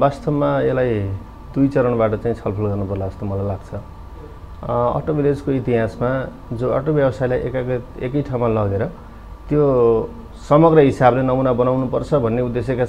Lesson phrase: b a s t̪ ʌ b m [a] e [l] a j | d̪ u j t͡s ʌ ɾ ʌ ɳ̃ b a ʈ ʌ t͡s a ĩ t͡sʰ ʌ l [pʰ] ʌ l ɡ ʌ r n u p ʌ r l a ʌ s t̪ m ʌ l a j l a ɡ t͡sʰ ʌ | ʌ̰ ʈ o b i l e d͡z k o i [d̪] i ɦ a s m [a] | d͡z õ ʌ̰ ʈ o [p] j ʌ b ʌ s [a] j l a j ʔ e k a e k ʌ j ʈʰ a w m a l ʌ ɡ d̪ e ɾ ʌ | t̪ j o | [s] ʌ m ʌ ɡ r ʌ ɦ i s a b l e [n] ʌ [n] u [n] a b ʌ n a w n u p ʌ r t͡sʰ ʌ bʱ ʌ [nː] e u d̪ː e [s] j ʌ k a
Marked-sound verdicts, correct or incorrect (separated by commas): correct, correct, correct, incorrect, correct, incorrect, correct, correct, correct, incorrect, correct, correct, correct